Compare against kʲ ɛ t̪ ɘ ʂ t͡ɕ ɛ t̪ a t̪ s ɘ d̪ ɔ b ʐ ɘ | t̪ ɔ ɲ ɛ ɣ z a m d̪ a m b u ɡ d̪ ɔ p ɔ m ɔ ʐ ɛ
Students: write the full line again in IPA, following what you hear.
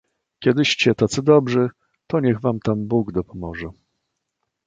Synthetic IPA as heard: kʲ ɛ d̪ ɘ ɕ t͡ɕ ɛ t̪ a t̪ s ɘ d̪ ɔ b ʐ ɘ | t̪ ɔ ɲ ɛ ɣ v a m t̪ a m b u ɡ d̪ ɔ p ɔ m ɔ ʐ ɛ